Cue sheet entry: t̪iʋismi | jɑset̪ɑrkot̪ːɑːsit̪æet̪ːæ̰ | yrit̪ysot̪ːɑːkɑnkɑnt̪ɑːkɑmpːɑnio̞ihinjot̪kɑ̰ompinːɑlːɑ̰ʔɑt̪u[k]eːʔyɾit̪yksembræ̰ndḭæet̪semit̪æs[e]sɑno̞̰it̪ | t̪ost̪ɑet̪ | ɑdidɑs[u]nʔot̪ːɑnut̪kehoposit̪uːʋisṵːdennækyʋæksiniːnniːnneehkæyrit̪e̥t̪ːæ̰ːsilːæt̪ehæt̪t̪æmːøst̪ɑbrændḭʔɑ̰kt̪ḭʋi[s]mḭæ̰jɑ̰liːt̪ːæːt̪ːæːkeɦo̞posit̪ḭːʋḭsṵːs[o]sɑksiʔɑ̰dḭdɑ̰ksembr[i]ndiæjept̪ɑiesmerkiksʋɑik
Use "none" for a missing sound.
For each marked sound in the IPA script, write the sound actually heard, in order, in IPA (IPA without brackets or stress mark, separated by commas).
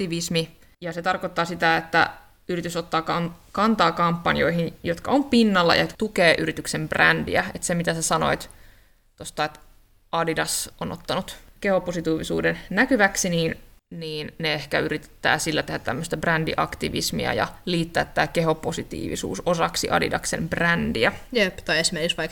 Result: k, æ, o, s, o, æ